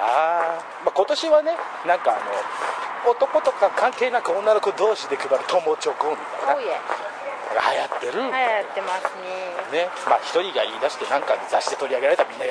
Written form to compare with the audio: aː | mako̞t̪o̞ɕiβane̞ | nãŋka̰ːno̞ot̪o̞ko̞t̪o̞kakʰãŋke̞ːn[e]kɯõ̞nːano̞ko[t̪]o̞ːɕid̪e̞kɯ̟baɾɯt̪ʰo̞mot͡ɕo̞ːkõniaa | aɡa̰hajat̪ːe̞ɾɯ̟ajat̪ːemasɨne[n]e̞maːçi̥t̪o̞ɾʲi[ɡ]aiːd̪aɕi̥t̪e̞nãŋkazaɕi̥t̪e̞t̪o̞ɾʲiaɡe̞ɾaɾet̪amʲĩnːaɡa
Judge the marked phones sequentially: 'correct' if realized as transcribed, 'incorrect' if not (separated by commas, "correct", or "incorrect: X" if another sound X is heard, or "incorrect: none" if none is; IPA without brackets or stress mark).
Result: incorrect: a, incorrect: d̪, correct, correct